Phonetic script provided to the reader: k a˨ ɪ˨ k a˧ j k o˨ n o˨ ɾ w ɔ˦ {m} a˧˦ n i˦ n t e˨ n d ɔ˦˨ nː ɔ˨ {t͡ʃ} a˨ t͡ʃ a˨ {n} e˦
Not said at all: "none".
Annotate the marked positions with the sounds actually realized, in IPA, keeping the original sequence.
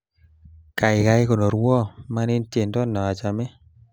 m, none, m

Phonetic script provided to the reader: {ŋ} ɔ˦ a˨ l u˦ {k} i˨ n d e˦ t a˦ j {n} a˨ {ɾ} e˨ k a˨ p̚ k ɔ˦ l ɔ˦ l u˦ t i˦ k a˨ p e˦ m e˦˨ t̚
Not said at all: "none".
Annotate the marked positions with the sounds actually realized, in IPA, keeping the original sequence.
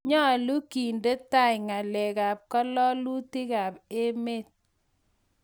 ɲ, k, ŋ, l

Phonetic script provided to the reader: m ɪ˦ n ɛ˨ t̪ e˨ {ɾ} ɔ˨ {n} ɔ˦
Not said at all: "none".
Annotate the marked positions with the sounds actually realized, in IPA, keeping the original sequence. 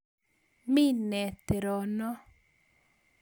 ɾ, n

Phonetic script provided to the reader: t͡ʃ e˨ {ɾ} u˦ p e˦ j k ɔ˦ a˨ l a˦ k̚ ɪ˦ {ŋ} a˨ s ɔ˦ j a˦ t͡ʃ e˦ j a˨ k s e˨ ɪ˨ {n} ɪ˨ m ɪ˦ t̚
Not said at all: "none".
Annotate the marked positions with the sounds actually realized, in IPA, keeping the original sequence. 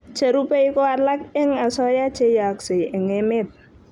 ɾ, ŋ, ŋ

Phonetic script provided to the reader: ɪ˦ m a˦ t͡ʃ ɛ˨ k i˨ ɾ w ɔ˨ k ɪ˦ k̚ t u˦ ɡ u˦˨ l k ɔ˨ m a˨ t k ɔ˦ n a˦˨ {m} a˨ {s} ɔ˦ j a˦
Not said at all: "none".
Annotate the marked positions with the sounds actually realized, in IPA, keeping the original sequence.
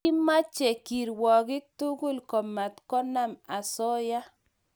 m, s

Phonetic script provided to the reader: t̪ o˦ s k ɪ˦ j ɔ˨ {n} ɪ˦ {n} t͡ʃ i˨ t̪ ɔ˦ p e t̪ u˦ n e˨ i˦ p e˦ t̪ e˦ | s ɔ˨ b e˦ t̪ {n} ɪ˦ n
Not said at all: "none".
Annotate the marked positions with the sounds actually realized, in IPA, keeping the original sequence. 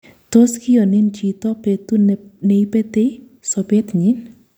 n, n, ɲ

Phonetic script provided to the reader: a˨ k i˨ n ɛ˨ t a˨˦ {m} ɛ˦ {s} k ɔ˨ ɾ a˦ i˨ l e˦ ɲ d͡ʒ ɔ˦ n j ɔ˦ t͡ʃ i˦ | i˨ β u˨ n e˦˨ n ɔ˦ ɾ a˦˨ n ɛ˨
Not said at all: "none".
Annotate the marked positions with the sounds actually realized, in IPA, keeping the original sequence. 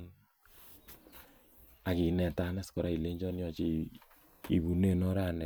n, s

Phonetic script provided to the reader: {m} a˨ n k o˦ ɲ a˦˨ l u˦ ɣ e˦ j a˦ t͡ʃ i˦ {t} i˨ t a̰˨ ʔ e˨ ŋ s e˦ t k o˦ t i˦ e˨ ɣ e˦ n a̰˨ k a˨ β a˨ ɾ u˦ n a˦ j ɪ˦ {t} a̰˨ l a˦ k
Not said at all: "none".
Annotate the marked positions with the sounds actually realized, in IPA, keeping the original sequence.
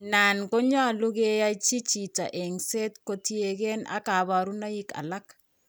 n, t͡ʃ, k

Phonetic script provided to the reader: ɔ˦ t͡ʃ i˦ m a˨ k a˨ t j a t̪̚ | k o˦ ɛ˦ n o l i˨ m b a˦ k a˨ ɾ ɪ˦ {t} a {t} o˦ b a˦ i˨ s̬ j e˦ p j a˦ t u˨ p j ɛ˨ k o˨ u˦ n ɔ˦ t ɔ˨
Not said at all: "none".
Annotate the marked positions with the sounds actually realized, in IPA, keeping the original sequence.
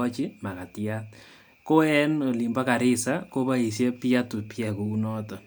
s, k

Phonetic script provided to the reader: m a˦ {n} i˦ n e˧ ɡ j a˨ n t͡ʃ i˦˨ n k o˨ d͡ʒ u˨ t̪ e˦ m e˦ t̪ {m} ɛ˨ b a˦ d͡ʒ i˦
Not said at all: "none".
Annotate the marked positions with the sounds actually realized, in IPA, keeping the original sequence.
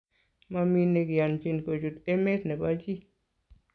m, n

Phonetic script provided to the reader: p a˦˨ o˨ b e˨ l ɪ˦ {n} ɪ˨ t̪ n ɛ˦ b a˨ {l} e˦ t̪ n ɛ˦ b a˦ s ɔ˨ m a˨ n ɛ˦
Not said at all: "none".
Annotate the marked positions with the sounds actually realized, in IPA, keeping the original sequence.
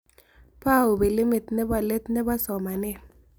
m, l

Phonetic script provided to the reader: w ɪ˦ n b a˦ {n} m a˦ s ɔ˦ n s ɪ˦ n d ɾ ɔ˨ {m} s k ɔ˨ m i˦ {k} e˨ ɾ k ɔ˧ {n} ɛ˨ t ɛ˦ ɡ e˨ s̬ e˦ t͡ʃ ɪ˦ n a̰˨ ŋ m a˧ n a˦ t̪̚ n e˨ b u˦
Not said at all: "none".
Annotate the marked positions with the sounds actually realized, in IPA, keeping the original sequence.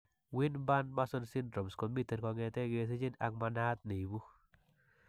n, m, t, ŋ

